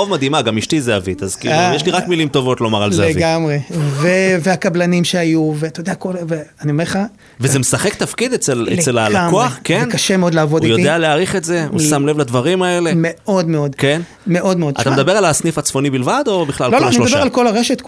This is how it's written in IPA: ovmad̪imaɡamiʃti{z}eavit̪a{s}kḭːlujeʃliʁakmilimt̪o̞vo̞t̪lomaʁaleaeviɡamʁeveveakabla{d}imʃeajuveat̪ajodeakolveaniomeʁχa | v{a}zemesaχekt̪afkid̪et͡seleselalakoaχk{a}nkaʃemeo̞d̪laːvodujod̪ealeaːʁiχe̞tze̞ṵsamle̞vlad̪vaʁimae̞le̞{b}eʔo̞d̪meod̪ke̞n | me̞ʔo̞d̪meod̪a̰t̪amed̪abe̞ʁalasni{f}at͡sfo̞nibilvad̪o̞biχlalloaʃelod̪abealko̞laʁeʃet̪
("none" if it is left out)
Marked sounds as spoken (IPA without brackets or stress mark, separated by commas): z, z, n, e, e, m, f